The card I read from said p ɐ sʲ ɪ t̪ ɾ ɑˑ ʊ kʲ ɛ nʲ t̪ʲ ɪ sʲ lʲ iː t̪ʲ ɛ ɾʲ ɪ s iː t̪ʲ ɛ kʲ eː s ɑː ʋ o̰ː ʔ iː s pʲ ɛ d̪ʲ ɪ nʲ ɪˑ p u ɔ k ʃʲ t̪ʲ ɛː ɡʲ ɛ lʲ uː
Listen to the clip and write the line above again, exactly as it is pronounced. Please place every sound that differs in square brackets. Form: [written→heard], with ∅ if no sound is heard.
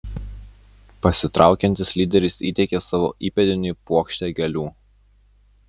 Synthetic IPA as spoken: p ɐ sʲ ɪ t̪ ɾ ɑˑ ʊ kʲ ɛ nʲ t̪ʲ ɪ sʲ lʲ iː [t̪ʲ→d̪ʲ] ɛ ɾʲ ɪ s iː t̪ʲ ɛ kʲ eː s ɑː ʋ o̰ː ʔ iː [s→∅] pʲ ɛ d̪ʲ ɪ nʲ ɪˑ p u ɔ k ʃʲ t̪ʲ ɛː ɡʲ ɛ lʲ uː